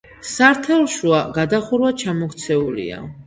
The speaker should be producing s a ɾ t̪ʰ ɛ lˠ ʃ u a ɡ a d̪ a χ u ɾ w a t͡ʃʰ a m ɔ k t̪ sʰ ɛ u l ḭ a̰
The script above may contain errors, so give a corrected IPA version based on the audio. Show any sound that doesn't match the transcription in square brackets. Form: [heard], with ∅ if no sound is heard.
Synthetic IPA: s a ɾ t̪ʰ ɛ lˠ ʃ u a ɡ a d̪ a χ u ɾ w a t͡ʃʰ a m ɔ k t̪ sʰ ɛ u l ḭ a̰